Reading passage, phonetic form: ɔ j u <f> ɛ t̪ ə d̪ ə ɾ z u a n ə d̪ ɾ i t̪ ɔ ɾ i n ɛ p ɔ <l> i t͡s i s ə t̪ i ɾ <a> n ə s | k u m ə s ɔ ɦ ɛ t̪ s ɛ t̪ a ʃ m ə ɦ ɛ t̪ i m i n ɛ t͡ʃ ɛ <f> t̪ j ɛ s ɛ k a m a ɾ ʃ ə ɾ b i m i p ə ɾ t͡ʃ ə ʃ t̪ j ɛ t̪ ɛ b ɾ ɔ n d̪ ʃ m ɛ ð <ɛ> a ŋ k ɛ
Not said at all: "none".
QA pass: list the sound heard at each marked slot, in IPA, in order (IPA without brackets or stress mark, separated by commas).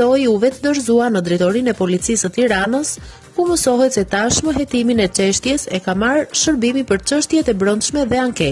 v, l, a, ʃ, ɛ